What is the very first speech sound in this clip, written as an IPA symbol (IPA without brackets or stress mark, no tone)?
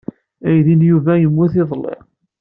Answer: æ